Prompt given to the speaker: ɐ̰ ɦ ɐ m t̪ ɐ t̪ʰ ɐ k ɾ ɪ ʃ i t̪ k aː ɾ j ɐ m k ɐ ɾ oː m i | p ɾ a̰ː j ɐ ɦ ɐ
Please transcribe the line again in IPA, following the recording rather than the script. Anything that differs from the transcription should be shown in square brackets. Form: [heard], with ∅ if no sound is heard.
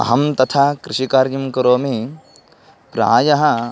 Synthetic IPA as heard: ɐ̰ ɦ ɐ m t̪ ɐ t̪ʰ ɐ k ɾ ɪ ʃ i [∅] k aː ɾ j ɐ m k ɐ ɾ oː m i | p ɾ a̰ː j ɐ ɦ ɐ